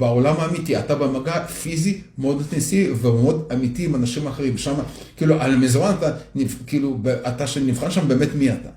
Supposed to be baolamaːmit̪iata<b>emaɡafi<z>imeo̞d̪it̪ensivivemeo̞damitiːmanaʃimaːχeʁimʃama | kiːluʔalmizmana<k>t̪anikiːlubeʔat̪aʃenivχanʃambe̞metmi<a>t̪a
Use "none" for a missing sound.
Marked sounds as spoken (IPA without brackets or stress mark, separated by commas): b, z, none, a